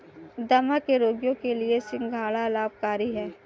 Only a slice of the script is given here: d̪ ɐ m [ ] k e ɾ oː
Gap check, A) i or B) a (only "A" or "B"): B